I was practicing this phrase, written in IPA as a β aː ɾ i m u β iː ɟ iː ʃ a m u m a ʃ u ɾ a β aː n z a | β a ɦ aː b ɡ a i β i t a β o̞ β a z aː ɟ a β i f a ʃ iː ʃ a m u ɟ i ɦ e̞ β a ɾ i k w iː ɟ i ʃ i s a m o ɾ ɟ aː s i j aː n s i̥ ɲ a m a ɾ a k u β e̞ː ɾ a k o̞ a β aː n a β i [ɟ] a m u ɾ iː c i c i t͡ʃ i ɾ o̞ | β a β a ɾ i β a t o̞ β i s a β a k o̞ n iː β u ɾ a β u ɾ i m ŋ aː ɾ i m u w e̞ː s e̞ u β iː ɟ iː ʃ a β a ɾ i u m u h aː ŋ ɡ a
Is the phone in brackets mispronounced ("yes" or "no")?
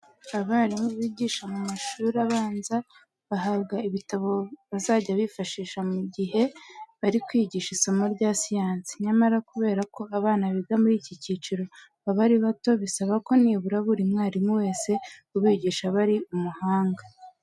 yes